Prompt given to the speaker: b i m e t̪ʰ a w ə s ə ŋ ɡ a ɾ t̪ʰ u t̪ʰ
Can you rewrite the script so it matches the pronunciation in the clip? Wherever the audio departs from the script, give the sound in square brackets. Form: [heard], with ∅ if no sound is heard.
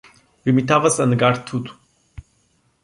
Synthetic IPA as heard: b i m [i] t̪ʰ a [v] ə s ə [n] ɡ a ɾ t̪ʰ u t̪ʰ